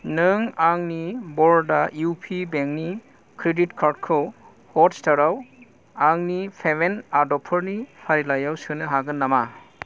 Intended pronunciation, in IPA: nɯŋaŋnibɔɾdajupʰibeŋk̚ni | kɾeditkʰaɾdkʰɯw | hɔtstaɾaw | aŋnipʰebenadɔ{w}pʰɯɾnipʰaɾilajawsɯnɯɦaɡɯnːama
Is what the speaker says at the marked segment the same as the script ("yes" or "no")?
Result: no